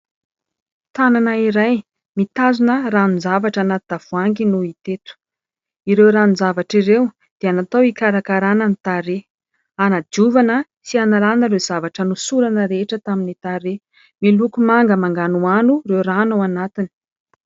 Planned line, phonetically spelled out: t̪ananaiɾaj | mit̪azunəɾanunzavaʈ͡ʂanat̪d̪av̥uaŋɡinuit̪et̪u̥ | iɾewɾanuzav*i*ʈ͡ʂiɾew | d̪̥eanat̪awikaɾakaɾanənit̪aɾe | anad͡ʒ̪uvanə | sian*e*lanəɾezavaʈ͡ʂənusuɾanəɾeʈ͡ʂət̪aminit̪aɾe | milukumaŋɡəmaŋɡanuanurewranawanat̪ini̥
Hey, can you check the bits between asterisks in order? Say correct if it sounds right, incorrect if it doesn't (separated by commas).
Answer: incorrect, incorrect